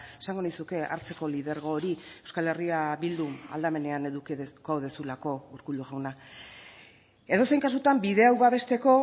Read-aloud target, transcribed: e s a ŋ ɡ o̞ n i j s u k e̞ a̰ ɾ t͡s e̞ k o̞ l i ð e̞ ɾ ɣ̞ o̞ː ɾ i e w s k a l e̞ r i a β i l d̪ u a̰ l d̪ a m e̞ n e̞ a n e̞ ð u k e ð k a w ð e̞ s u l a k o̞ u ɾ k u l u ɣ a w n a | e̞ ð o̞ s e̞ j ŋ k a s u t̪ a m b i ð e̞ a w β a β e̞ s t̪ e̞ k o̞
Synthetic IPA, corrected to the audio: e s a ŋ ɡ o̞ n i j s u k e̞ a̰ ɾ t͡s e̞ k o̞ l i ð e̞ ɾ ɣ̞ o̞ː ɾ i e w s k a l e̞ r i a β i l d̪ u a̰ l d̪ a m e̞ n e̞ a n e̞ ð u k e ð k a w ð e̞ s u l a k o̞ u ɾ k u l u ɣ a w n a | e̞ ð o̞ s e̞ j ŋ k a s u t̪ a m b i ð e̞ a w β a β e̞ s t̪ e̞ k o̞